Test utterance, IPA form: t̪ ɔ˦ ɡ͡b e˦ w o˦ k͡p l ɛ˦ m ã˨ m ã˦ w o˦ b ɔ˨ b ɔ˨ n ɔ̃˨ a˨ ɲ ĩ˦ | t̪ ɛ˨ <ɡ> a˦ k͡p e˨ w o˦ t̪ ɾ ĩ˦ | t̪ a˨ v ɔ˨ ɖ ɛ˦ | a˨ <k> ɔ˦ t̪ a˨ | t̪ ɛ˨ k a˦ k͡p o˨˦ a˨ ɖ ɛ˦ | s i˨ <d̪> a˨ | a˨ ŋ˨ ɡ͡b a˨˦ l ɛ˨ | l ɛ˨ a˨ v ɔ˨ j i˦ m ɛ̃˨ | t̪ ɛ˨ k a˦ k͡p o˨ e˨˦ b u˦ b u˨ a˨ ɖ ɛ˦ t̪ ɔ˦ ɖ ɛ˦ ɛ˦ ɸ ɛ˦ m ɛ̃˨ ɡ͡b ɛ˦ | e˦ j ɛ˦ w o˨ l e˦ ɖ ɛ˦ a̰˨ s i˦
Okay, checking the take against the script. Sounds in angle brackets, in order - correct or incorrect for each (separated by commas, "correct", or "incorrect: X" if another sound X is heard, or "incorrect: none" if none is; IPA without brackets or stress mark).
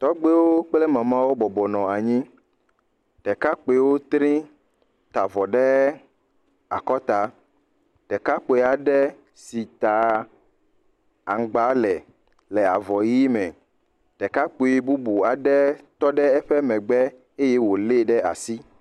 incorrect: k, correct, incorrect: t̪